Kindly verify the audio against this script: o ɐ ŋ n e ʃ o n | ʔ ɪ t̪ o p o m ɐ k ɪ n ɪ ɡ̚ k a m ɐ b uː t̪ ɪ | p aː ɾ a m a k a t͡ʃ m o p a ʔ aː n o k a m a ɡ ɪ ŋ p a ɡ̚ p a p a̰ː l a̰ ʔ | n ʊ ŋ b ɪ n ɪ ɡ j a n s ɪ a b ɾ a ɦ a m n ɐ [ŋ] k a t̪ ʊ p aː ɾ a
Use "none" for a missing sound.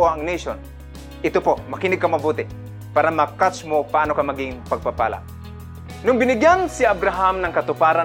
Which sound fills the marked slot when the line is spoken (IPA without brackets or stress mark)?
ŋ